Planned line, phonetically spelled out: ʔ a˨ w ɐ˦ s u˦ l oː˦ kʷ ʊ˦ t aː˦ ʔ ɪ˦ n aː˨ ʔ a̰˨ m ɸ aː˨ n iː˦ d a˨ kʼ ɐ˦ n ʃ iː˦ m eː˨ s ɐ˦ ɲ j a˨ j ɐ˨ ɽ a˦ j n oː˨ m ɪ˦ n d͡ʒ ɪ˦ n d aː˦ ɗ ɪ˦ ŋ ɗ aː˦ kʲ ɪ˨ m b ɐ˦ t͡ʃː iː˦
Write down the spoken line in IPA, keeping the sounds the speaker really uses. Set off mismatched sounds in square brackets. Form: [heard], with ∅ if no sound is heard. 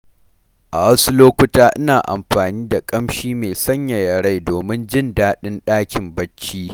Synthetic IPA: ʔ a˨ w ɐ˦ s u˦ l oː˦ kʷ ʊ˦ t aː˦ ʔ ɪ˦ n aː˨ ʔ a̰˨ m ɸ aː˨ n iː˦ d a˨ kʼ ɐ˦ [m] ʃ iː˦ m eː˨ s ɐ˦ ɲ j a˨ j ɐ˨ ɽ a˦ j [d] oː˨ m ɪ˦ n d͡ʒ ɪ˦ n d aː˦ ɗ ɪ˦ [n] ɗ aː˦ kʲ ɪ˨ m b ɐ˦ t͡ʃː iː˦